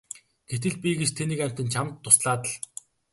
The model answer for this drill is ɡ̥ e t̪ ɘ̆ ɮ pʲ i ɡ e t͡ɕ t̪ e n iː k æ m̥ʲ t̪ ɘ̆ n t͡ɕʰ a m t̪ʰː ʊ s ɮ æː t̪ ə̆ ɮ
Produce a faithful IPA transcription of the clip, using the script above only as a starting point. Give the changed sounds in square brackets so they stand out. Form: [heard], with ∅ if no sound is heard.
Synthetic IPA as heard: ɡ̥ e t̪ ɘ̆ ɮ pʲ i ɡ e t͡ɕ [t̪ʰ] e n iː k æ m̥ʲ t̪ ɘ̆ n t͡ɕʰ a m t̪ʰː ʊ s ɮ [aː] t̪ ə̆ ɮ